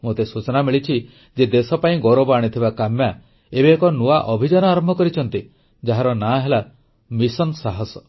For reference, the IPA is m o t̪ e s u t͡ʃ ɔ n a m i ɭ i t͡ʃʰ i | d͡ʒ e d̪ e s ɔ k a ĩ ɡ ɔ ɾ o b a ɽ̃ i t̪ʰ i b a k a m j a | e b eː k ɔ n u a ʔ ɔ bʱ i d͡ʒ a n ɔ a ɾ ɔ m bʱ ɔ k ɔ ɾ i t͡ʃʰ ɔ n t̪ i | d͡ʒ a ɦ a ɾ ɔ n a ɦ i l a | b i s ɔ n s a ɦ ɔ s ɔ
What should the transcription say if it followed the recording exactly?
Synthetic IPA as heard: m o t̪ e s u t͡ʃ ɔ n a m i ɭ i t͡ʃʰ i | d͡ʒ e d̪ e s ɔ p a ĩ ɡ ɔ ɾ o b a ɽ̃ i t̪ʰ i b a k a m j a | e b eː k ɔ n u a ʔ ɔ bʱ i d͡ʒ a n ɔ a ɾ ɔ m bʱ ɔ k ɔ ɾ i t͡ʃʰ ɔ n t̪ i | d͡ʒ a ɦ a ɾ ɔ n a ɦ e l a | m i s ɔ n s a ɦ ɔ s ɔ

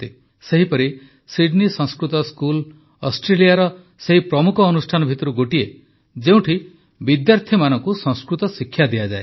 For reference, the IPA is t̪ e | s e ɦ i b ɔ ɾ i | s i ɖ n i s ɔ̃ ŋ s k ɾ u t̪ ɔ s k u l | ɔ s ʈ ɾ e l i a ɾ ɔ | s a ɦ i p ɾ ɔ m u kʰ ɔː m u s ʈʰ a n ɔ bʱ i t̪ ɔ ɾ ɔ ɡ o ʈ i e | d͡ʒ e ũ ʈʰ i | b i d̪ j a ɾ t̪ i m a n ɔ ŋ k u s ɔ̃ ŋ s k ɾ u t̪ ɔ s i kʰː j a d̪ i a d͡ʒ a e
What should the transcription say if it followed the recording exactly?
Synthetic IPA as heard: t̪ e | s e ɦ i p ɔ ɾ i | s i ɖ n i s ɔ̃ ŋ s k ɾ u t̪ ɔ s k u l | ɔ s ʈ ɾ e l i a ɾ ɔ | s e ɦ i p ɾ ɔ m u kʰ ɔː n u s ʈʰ a n ɔ bʱ i t̪ ɔ ɾ u ɡ o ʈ i e | d͡ʒ e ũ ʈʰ i | b i d̪ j a ɾ t̪ʰ i m a n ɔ ŋ k u s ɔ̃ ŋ s k ɾ u t̪ ɔ s i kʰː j a d̪ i a d͡ʒ a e

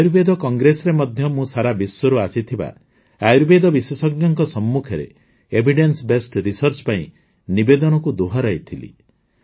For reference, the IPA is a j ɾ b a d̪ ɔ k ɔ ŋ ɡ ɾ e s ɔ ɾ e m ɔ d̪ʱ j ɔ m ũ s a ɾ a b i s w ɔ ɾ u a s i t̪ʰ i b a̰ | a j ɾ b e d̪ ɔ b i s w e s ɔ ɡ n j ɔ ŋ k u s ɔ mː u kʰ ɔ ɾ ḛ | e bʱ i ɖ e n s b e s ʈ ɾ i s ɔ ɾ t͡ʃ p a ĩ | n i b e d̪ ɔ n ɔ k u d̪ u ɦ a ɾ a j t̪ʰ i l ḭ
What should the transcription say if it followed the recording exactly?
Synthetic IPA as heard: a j ɾ b e d̪ ɔ k ɔ ŋ ɡ ɾ e s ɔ ɾ e m ɔ d̪ʱ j ɔ m ũ s a ɾ a b i s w ɔ ɾ u a s i t̪ʰ i b a̰ | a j ɾ b e d̪ ɔ b i s w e s ɔ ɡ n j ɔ ŋ k ɔ s ɔ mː u kʰ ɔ ɾ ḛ | e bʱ i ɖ e n s b e s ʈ ɾ i s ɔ ɾ t͡ʃ p a ĩ | n i b e d̪ ɔ n ɔ k u d̪ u ɦ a ɾ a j t̪ʰ i l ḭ

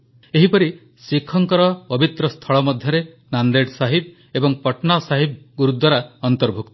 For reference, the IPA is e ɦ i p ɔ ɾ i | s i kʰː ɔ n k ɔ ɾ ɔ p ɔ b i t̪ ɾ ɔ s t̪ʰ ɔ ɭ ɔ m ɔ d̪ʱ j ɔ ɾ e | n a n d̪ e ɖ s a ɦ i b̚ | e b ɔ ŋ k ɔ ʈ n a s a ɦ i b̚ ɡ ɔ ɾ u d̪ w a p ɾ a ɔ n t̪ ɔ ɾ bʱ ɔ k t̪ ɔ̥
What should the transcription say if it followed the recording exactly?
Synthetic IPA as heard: e ɦ i p ɔ ɾ i | s i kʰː ɔ ŋ k ɔ ɾ ɔ p ɔ b i t̪ ɾ ɔ s t̪ʰ ɔ ɭ ɔ m ɔ d̪ʱ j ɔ ɾ e | n a n d̪ e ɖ s a ɦ i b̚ | e b ɔ ŋ p ɔ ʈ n a s a ɦ i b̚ ɡ u ɾ u d̪ w a ɾ a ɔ n t̪ ɔ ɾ bʱ u k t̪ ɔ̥

